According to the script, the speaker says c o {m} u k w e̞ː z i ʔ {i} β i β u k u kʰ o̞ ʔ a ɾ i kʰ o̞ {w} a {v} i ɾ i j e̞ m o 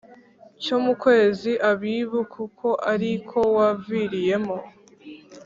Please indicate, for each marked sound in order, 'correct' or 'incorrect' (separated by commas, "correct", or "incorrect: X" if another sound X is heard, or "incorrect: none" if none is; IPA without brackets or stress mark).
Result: correct, incorrect: a, correct, correct